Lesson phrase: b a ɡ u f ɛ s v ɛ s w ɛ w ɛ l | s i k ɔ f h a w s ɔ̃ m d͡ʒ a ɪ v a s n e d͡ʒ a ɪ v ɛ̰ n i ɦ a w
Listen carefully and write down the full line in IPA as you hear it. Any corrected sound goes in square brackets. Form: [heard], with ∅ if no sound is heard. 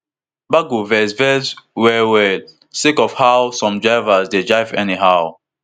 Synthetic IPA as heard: b a ɡ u [v] ɛ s v ɛ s w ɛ w ɛ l | s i k ɔ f h a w s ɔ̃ m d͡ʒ a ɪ v a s [d] e d͡ʒ a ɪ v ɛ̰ n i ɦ a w